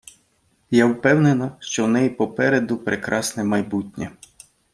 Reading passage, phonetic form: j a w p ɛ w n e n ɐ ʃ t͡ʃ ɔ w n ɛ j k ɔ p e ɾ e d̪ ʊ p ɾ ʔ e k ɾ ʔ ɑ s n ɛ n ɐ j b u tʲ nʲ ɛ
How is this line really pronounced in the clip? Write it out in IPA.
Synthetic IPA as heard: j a w p ɛ w n e n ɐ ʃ t͡ʃ ɔ w n ɛ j p ɔ p ɛ ɾ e d̪ ʊ p ɾ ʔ e k ɾ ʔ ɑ s n ɛ m ɐ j b u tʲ nʲ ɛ